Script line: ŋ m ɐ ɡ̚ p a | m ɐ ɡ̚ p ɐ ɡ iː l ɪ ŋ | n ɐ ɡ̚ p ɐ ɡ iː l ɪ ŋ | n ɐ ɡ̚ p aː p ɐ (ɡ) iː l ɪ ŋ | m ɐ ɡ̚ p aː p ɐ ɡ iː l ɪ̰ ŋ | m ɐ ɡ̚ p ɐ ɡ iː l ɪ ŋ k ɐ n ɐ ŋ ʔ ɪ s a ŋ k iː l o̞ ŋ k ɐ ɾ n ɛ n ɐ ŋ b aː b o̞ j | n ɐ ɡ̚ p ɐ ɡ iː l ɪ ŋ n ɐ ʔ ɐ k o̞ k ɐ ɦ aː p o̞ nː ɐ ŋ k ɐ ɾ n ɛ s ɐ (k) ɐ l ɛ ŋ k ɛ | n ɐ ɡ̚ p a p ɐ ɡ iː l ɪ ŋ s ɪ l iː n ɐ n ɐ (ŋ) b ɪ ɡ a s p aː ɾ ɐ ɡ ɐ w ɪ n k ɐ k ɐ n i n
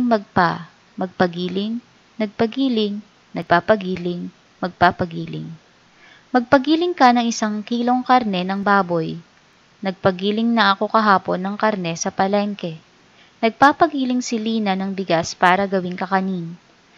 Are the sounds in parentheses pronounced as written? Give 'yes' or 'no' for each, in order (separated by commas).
yes, no, yes